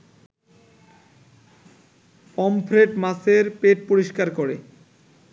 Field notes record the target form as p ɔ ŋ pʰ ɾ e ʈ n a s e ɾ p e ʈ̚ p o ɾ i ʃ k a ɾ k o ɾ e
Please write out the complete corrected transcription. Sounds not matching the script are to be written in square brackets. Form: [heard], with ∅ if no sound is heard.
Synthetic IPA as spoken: p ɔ [m] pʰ ɾ e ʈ [m] a s e ɾ p e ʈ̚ p o ɾ i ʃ k a ɾ k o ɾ e

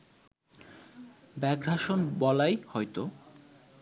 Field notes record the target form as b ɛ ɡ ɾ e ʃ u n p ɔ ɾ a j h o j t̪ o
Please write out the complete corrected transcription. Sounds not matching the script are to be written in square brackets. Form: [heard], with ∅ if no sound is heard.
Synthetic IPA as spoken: b ɛ ɡ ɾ [a] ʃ [o] n [b] ɔ [l] a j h [ɔ] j t̪ o

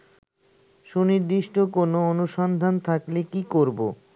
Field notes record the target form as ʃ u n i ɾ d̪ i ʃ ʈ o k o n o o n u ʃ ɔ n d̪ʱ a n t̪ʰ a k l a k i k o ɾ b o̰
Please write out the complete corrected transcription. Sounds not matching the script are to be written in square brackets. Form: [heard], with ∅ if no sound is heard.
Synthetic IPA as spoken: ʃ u n i ɾ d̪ i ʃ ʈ o k o n o o n u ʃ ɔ n d̪ʱ a n t̪ʰ a k l [e] k i k o ɾ b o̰

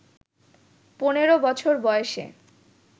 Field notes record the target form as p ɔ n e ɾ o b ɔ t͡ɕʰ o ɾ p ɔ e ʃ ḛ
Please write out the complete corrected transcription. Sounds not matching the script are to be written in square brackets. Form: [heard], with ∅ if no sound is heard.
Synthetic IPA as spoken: p [o] n e ɾ o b ɔ t͡ɕʰ o ɾ [b] ɔ e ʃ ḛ

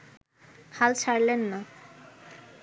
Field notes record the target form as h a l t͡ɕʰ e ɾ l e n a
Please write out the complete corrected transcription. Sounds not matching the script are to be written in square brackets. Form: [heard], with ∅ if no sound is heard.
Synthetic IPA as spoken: h a l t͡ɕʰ [a] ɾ l e [nː] a

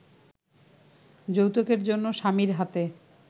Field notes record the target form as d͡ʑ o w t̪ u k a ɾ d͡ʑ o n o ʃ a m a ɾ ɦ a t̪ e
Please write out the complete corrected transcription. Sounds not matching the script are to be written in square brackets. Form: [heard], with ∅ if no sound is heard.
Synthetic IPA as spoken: d͡ʑ o w t̪ [o] k [e] ɾ d͡ʑ o [nː] o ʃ a m [i] ɾ ɦ a t̪ e

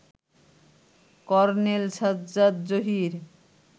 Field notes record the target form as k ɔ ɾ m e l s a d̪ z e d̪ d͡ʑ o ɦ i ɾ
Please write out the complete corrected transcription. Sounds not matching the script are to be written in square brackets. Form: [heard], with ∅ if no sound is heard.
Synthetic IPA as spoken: k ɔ ɾ [n] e l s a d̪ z [a] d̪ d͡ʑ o ɦ i ɾ

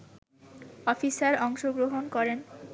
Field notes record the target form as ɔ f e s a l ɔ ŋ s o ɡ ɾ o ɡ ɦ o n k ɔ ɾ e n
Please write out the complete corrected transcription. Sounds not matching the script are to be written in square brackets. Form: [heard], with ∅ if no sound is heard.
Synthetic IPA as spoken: ɔ f [i] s a [ɾ] ɔ ŋ [ʃ] o ɡ ɾ o [∅] ɦ o n k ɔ ɾ e n

